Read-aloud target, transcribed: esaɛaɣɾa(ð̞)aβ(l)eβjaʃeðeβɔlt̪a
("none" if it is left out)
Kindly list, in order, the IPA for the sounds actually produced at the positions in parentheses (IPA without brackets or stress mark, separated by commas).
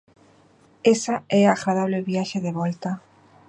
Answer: ð̞, l